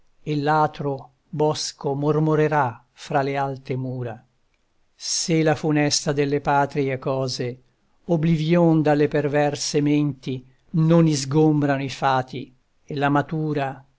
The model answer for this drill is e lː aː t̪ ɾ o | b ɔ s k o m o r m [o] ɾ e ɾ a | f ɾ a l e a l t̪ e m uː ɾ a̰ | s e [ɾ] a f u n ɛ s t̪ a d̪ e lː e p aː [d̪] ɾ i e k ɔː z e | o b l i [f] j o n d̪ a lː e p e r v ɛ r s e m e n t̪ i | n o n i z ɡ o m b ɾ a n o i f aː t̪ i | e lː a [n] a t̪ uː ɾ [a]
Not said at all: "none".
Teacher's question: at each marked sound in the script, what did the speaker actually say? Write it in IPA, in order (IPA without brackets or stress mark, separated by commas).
o, l, t̪, v, m, a